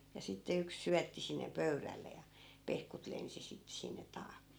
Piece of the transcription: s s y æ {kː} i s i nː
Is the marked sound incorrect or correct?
incorrect